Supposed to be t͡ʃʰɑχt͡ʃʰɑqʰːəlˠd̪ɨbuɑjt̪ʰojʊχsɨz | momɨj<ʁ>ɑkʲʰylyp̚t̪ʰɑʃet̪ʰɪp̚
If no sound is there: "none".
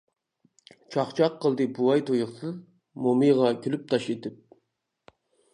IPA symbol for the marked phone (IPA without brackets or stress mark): ʁ